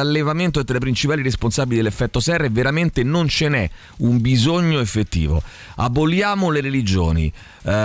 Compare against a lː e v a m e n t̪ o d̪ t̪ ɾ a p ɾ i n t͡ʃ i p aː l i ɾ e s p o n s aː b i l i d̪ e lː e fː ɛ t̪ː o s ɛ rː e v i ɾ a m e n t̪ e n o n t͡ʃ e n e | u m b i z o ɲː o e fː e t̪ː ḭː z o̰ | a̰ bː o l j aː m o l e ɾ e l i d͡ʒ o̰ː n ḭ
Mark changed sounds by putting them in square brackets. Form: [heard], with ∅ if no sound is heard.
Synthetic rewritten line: a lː e v a m e n t̪ o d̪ t̪ ɾ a p ɾ i n t͡ʃ i p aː l i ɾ e s p o n s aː b i l i d̪ e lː e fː ɛ t̪ː o s ɛ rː e v [e] ɾ a m e n t̪ e n o n t͡ʃ e n [ɛ] | u m b i z o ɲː o e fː e t̪ː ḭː [v] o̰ | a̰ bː o l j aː m o l e ɾ e l i d͡ʒ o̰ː n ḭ